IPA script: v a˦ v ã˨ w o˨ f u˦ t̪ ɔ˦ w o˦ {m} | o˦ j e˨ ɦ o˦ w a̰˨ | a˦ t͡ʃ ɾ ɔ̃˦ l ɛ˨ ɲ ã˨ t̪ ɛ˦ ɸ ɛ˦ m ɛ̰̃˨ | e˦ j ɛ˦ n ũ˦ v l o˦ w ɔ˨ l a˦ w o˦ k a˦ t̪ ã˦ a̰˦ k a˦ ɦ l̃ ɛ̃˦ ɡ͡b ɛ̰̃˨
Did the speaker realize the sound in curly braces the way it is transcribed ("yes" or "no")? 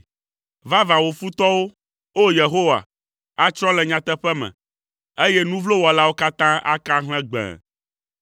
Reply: no